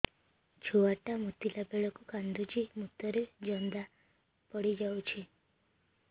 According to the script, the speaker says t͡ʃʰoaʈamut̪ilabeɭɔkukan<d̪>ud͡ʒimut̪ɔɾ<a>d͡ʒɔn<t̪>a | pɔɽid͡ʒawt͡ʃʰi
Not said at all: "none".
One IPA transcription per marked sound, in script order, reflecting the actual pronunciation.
d̪, e, d̪

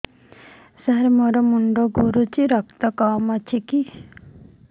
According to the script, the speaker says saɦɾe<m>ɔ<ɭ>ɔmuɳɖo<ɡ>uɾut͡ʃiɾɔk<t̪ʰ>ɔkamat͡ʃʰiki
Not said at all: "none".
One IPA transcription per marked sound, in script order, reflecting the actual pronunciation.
m, ɾ, ɡ, t̪

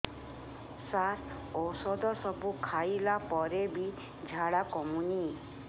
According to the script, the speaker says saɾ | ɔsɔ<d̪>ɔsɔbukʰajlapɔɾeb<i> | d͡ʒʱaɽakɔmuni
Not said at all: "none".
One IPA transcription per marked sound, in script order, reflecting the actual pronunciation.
d̪, i

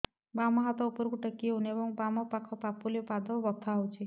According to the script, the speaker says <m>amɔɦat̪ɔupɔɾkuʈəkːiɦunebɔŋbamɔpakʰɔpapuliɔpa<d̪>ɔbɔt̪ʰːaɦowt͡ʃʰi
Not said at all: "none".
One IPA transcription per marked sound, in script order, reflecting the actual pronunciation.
b, d̪

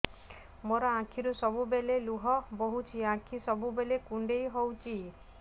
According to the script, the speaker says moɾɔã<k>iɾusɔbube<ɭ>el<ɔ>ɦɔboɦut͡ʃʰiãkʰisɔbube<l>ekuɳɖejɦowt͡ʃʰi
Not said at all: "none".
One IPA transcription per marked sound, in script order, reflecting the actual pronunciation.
kʰ, l, u, l

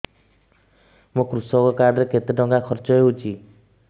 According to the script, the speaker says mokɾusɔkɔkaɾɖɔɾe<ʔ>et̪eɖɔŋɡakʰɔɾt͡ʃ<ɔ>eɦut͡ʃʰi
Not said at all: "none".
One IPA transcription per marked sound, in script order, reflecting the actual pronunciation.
k, ɔ

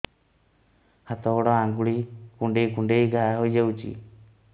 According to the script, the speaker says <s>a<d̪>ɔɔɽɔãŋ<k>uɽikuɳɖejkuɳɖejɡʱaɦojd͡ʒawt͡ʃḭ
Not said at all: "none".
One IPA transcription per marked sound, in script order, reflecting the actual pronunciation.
h, t̪, ɡ

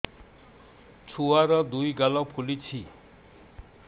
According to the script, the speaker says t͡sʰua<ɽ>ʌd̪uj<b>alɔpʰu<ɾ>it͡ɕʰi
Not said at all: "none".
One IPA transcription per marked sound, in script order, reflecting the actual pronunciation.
ɾ, ɡ, l

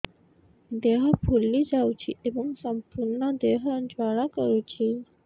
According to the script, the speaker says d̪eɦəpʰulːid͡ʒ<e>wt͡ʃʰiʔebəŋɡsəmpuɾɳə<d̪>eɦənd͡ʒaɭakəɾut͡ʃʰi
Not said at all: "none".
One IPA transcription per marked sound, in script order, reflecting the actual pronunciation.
a, d̪

